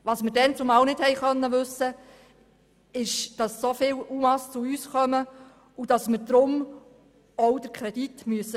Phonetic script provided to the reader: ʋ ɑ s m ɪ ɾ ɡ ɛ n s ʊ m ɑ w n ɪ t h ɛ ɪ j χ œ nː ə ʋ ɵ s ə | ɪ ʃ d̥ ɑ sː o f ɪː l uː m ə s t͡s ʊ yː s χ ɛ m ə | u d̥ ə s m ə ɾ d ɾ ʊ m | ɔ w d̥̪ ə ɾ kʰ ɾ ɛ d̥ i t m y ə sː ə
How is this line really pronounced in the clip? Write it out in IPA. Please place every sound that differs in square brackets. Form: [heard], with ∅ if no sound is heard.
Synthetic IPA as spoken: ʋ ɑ s m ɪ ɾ [d] ɛ n [t͡s] ʊ m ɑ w n ɪ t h ɛ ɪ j χ œ nː ə ʋ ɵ s ə | ɪ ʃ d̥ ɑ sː o f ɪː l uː m [ɑ] s t͡s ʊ yː s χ [œ] m ə | u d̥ [ɑ] s m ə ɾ d ɾ ʊ m | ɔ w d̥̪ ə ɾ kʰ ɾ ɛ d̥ i t m y ə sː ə